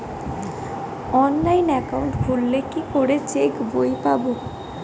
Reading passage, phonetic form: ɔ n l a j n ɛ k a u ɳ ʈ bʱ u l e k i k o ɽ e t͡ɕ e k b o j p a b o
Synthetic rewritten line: ɔ n l a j n ɛ k a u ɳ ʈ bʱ u lː e k i k o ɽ e t͡ɕ e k b o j p a b o

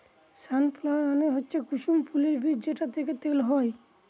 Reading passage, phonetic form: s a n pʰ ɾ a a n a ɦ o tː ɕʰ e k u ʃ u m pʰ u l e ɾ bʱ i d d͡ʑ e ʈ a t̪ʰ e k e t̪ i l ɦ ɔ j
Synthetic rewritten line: s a n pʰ l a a n e ɦ o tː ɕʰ e k u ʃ u m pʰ u l e ɾ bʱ i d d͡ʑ e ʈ a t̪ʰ e k e t̪ e l ɦ ɔ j

